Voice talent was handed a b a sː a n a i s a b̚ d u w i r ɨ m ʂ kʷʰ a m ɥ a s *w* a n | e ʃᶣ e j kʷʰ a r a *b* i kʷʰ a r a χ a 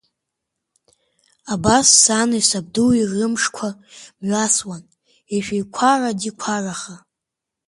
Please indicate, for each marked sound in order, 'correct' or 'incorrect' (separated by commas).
correct, incorrect